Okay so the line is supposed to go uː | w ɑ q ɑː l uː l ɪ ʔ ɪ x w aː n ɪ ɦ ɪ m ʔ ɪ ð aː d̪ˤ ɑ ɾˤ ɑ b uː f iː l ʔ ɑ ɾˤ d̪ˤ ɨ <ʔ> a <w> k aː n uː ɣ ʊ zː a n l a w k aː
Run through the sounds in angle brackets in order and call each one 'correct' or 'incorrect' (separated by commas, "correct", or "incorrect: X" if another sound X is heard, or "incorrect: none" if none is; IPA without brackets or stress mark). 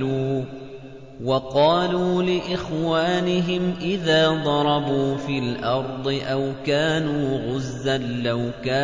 correct, correct